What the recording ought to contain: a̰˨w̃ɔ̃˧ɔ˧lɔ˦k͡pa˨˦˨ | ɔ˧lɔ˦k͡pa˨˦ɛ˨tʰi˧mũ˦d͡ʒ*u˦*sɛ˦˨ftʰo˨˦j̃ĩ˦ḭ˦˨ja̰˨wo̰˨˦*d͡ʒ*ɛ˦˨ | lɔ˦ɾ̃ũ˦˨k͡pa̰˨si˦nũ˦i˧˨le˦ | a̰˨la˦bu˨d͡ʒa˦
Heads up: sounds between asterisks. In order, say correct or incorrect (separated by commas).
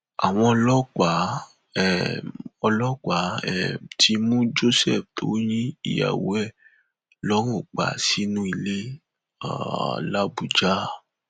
incorrect, incorrect